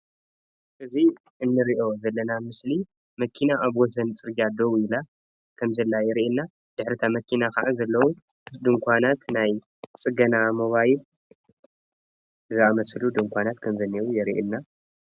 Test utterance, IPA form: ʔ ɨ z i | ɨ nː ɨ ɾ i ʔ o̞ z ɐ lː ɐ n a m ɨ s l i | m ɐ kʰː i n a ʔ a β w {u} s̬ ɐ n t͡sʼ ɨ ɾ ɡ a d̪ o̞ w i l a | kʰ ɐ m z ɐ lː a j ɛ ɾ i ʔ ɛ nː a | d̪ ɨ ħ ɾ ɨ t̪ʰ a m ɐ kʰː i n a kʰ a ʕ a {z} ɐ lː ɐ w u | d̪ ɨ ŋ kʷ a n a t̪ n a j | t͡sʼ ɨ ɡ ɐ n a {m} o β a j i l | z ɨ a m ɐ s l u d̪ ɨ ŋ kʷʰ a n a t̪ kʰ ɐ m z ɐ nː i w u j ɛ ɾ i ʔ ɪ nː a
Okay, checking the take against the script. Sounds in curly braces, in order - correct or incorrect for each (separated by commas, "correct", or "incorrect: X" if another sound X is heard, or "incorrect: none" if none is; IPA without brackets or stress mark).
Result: incorrect: ɔ, correct, correct